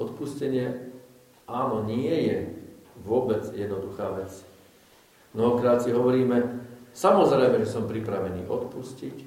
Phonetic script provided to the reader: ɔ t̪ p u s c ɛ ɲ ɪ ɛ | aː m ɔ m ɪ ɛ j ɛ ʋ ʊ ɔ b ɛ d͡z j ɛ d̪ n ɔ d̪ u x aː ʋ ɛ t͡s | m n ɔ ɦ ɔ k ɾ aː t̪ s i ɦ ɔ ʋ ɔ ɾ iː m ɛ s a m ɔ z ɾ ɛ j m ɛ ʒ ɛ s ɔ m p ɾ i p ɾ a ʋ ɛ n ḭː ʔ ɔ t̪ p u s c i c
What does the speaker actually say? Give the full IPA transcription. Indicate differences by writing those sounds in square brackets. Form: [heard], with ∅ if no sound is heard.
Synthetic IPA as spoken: ɔ t̪ p u s c ɛ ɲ ɪ ɛ | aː [n] ɔ [ɲ] ɪ ɛ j ɛ ʋ ʊ ɔ b ɛ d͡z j ɛ d̪ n ɔ d̪ u x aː ʋ ɛ t͡s | m n ɔ ɦ ɔ k ɾ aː t̪ s i ɦ ɔ ʋ ɔ ɾ iː m ɛ s a m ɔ z ɾ ɛ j m ɛ ʒ ɛ s ɔ m p ɾ i p ɾ a ʋ ɛ n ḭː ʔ ɔ t̪ p u s c i c